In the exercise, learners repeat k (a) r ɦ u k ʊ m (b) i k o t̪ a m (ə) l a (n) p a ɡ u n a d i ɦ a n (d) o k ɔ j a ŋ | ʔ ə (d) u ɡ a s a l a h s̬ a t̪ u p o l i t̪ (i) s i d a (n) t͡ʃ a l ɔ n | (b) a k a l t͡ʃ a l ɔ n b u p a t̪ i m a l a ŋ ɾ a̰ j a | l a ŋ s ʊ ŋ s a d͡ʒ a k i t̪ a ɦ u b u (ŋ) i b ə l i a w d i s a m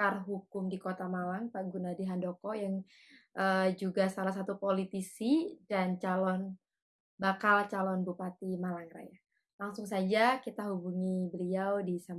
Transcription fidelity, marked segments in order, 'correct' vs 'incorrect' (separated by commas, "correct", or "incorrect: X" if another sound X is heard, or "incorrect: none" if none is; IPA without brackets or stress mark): correct, incorrect: d, incorrect: a, incorrect: ŋ, correct, incorrect: d͡ʒ, correct, correct, correct, correct